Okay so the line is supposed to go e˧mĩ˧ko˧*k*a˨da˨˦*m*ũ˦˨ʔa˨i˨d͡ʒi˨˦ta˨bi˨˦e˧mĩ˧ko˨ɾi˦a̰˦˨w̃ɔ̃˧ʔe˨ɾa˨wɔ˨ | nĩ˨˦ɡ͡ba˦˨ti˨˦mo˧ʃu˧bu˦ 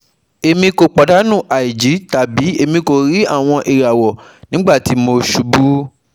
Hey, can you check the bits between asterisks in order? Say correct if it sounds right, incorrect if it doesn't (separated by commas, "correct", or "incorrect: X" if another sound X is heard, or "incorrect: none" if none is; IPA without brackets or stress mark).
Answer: incorrect: k͡p, incorrect: n